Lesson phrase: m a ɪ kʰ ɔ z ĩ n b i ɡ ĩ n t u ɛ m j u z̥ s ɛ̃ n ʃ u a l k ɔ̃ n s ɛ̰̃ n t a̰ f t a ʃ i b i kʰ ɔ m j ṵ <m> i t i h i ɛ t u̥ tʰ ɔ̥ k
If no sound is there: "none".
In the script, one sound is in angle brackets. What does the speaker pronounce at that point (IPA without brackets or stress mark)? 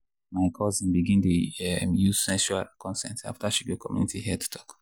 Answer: n